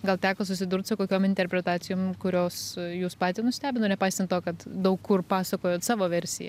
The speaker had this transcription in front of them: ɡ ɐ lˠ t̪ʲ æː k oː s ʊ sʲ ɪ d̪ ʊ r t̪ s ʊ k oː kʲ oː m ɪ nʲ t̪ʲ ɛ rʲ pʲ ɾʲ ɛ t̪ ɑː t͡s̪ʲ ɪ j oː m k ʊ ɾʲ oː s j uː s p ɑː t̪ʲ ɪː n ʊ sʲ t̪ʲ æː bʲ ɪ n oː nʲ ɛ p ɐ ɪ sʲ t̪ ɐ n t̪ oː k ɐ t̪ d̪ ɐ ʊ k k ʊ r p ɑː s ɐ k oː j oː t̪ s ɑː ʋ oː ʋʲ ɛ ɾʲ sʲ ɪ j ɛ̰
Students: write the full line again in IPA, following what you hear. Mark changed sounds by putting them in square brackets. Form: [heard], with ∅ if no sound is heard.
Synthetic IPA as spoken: ɡ ɐ lˠ t̪ʲ æː k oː s ʊ sʲ ɪ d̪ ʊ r t̪ s ʊ k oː kʲ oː m ɪ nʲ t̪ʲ ɛ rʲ pʲ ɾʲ ɛ t̪ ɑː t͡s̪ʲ ɪ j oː m k ʊ ɾʲ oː s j uː s p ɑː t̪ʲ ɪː n ʊ sʲ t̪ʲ æː bʲ ɪ n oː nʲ ɛ p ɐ ɪ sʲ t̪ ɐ n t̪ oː k ɐ t̪ d̪ ɐ ʊ k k ʊ r p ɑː s ɐ k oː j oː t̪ s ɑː ʋ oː ʋʲ ɛ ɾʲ sʲ ɪ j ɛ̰